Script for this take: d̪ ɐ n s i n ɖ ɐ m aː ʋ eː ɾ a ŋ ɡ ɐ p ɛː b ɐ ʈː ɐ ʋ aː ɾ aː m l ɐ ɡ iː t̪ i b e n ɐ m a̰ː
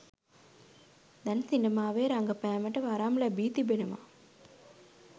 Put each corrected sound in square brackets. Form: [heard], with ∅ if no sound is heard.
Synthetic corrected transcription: d̪ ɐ n s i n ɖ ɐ m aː ʋ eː ɾ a ŋ ɡ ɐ p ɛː [m] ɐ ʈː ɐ ʋ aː ɾ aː m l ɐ [b] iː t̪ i b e n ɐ m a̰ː